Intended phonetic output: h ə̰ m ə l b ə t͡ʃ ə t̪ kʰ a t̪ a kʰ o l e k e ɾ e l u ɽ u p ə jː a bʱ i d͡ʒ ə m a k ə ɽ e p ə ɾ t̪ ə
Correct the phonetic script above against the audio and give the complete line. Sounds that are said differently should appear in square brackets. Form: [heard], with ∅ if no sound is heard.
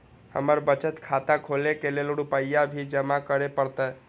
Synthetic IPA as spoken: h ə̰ m ə [ɾ] b ə t͡ʃ ə t̪ kʰ a t̪ a kʰ o l e k e [l] e l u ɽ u p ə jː a bʱ i d͡ʒ ə m a k ə [ɾ] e p ə ɾ t̪ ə